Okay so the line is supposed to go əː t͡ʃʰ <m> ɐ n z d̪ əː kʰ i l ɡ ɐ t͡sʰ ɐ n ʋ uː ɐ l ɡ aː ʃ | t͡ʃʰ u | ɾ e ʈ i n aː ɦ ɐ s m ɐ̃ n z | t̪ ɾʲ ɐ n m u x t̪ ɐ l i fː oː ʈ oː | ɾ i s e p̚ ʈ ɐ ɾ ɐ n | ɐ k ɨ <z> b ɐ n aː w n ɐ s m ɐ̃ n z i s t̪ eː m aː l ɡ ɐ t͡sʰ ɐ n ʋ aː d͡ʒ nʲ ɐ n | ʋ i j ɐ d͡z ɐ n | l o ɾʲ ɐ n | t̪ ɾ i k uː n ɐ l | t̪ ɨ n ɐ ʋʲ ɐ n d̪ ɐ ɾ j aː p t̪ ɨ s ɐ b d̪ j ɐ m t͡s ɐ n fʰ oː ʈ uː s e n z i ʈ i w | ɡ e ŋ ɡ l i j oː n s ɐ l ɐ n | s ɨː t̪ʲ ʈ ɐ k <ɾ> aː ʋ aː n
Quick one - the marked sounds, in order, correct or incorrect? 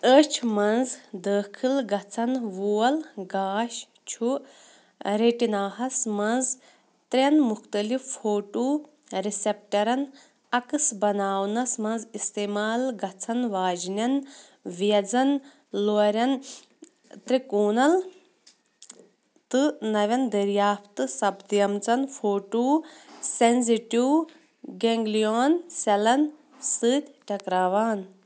correct, incorrect, correct

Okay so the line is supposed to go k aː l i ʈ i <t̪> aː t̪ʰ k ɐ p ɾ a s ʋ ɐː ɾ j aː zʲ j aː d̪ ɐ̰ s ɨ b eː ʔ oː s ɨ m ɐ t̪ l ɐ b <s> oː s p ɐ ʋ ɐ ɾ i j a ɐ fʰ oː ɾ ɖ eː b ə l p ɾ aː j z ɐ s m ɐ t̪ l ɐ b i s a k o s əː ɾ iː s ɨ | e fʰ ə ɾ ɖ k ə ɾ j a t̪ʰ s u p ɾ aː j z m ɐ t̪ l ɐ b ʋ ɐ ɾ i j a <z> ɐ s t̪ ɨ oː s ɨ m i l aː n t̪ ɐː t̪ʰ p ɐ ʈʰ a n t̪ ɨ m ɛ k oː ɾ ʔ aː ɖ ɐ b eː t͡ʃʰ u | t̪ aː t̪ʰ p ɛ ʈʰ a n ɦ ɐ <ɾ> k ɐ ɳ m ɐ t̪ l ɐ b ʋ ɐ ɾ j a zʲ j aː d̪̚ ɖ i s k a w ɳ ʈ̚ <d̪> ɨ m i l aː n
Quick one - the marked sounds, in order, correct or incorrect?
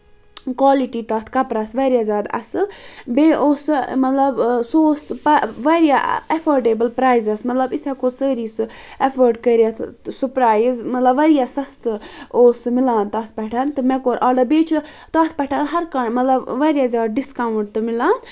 correct, correct, incorrect, correct, incorrect

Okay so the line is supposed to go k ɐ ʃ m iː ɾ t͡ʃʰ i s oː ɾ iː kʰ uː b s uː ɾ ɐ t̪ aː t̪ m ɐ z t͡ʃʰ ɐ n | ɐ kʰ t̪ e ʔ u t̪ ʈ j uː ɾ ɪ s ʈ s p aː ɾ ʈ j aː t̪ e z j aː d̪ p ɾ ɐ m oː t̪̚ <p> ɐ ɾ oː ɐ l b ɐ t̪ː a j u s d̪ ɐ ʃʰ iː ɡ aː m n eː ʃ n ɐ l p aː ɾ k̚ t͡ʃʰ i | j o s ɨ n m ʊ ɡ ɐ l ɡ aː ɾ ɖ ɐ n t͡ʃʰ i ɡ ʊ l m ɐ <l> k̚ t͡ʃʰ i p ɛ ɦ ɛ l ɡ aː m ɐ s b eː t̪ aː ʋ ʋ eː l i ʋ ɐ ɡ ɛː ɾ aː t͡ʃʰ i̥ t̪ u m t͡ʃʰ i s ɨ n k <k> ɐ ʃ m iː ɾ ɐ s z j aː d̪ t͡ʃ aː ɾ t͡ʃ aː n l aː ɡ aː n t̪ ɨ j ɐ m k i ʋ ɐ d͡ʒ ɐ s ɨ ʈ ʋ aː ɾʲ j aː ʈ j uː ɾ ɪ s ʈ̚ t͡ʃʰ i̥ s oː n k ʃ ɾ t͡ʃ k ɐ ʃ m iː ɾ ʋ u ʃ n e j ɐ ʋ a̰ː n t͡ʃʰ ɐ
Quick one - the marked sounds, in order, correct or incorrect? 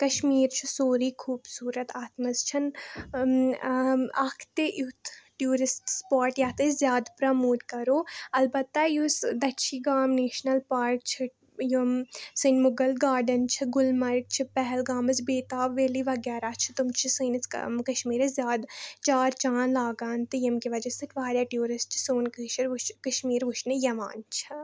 incorrect, incorrect, correct

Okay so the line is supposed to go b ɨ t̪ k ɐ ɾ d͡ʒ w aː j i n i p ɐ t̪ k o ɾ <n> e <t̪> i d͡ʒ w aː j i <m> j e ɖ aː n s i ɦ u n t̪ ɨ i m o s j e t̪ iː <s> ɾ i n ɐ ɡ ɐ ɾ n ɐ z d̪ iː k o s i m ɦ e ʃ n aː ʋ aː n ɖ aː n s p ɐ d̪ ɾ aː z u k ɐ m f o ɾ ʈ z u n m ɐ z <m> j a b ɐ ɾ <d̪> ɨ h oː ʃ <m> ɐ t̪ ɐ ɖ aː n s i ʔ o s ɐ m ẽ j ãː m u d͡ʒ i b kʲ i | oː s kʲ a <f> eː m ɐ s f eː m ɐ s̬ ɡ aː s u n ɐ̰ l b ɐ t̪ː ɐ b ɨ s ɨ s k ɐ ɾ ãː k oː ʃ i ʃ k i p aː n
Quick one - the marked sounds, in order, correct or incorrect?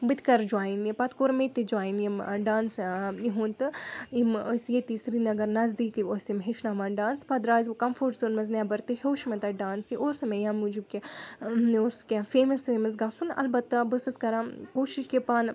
incorrect, correct, incorrect, correct, incorrect, incorrect, correct, correct

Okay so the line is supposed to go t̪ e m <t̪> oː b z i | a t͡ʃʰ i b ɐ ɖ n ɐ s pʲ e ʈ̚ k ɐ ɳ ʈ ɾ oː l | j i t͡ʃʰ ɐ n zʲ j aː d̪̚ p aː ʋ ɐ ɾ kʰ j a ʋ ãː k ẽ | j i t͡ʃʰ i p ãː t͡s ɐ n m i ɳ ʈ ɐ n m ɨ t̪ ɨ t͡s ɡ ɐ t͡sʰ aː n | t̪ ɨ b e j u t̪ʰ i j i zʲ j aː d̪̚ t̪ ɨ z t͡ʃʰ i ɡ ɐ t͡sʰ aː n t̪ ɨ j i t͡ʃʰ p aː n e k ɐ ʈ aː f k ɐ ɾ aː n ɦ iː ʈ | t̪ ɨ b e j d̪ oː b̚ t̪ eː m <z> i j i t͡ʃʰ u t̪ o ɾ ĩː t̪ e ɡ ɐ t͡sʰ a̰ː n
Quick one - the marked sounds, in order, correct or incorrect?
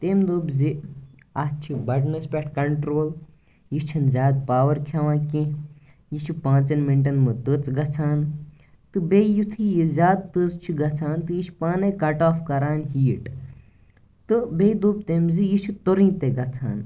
incorrect, correct

